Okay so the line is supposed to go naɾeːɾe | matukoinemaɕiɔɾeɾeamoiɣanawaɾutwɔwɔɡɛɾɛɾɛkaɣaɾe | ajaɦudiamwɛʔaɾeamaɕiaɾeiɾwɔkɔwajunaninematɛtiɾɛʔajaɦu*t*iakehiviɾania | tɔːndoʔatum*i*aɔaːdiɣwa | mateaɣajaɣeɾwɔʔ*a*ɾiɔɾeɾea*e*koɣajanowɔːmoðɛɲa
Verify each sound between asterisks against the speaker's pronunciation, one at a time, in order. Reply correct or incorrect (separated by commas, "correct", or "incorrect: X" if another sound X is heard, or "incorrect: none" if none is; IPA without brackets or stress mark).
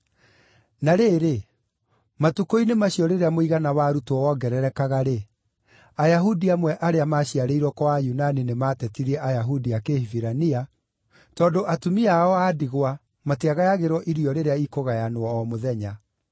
incorrect: d, correct, incorrect: i, incorrect: i